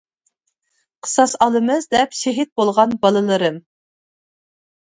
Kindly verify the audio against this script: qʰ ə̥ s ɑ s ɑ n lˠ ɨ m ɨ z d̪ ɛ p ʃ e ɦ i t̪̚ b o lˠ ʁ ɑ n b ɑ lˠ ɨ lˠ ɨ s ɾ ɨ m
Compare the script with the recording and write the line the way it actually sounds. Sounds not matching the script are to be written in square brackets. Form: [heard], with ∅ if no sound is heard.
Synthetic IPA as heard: qʰ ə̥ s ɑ s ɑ [∅] lˠ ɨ m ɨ z d̪ ɛ p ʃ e ɦ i t̪̚ b o lˠ ʁ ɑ n b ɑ lˠ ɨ lˠ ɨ [∅] ɾ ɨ m

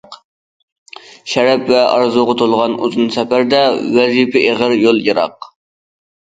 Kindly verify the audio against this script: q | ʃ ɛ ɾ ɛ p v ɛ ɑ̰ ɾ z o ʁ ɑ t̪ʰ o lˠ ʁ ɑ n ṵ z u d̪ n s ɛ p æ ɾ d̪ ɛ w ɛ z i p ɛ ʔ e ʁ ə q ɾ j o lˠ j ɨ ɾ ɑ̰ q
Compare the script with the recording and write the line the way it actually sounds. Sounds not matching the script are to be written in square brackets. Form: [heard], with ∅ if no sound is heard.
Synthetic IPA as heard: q | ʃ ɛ ɾ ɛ p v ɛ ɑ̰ ɾ z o ʁ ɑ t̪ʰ o lˠ ʁ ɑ n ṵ z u [∅] n s ɛ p æ ɾ d̪ ɛ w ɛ z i p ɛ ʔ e ʁ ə [∅] ɾ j o lˠ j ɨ ɾ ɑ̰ q

